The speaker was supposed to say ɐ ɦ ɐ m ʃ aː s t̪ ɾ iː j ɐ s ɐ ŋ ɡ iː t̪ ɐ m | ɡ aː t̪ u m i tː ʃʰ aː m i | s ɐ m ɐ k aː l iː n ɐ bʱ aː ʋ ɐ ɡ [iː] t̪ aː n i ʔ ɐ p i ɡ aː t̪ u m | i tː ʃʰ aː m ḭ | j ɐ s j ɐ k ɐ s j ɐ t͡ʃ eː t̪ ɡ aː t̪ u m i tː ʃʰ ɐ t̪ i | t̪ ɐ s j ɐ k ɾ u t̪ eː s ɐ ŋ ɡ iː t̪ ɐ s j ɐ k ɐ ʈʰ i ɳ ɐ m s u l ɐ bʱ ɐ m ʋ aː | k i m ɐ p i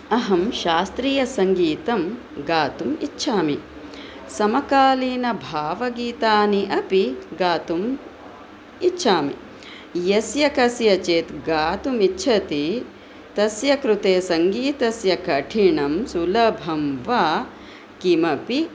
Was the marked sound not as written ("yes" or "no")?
no